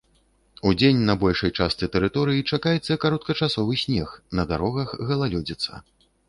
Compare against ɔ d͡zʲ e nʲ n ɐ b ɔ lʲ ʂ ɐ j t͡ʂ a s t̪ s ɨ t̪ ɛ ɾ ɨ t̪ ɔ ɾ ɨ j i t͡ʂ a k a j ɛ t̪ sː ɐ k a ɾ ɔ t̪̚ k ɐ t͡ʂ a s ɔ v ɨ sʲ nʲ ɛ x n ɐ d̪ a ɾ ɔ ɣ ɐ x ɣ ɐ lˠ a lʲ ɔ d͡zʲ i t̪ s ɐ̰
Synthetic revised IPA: u d͡zʲ e nʲ n ɐ b ɔ lʲ ʂ ɐ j t͡ʂ a s t̪ s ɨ t̪ ɛ ɾ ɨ t̪ ɔ ɾ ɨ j i t͡ʂ a k a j ɛ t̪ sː ɐ k a ɾ ɔ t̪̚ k ɐ t͡ʂ a s ɔ v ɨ sʲ nʲ ɛ x n ɐ d̪ a ɾ ɔ ɣ ɐ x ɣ ɐ lˠ a lʲ ɔ d͡zʲ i t̪ s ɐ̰